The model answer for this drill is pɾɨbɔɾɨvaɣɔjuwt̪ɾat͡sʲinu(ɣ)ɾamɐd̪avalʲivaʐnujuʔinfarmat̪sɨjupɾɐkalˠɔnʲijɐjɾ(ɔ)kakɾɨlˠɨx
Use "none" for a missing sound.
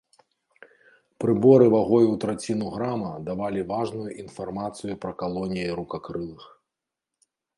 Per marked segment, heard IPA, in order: ɣ, u

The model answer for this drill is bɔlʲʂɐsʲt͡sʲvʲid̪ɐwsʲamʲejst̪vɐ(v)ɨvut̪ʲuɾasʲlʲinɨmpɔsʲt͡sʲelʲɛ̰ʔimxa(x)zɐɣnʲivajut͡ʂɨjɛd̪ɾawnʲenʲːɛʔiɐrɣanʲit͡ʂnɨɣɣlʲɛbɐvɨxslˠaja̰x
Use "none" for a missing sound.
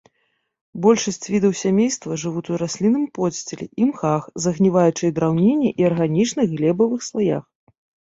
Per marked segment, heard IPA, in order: ʐ, x

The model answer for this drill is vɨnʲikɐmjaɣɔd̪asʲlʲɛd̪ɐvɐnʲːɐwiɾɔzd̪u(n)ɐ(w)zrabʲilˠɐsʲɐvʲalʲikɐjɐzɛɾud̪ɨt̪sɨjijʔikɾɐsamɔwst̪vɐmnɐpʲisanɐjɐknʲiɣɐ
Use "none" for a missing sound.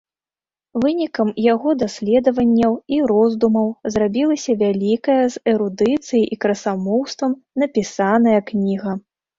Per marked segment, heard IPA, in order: m, w

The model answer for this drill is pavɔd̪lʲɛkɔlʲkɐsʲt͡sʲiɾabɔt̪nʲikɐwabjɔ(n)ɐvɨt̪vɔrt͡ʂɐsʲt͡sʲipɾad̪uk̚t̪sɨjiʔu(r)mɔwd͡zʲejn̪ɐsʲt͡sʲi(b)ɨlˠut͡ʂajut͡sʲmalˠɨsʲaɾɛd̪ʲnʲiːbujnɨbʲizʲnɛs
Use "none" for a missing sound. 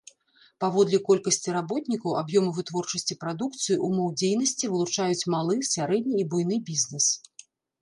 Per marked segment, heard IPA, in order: m, none, v

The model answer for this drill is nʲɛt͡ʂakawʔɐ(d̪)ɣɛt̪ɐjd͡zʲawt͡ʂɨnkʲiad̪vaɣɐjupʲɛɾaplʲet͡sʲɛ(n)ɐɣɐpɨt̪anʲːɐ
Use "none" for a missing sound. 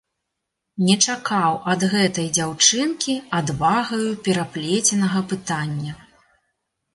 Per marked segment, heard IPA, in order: d̪, n

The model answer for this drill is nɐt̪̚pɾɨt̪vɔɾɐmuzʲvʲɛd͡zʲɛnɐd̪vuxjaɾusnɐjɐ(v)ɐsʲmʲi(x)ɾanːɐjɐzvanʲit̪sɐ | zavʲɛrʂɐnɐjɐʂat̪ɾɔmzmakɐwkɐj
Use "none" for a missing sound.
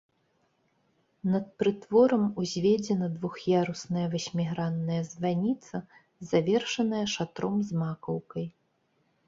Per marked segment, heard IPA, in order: v, ɣ

